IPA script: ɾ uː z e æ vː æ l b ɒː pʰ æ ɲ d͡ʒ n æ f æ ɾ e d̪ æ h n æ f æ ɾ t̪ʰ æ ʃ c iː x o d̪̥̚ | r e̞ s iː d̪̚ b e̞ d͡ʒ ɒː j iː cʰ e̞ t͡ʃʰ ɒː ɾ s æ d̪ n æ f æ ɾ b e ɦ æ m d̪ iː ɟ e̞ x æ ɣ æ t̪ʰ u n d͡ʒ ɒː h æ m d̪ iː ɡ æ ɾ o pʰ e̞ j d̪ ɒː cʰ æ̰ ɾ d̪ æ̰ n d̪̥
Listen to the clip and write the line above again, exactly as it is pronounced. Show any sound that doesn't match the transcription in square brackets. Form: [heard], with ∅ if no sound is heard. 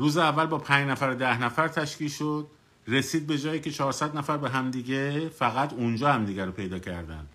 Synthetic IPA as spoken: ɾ uː z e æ vː æ l b ɒː pʰ æ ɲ d͡ʒ n æ f æ ɾ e d̪ æ h n æ f æ ɾ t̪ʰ æ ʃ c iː [ʃ] o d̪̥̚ | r e̞ s iː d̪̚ b e̞ d͡ʒ ɒː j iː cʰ e̞ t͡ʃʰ ɒː ɾ s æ d̪ n æ f æ ɾ b e ɦ æ m d̪ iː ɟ e̞ [f] æ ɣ æ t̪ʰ u n d͡ʒ ɒː h æ m d̪ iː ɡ æ ɾ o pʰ e̞ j d̪ ɒː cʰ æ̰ ɾ d̪ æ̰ n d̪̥